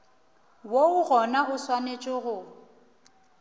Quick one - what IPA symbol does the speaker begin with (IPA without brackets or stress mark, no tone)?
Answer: w